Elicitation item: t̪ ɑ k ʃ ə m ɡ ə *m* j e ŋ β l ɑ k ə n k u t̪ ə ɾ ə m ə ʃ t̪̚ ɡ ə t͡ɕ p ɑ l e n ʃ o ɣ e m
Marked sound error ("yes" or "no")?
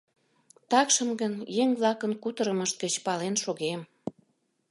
yes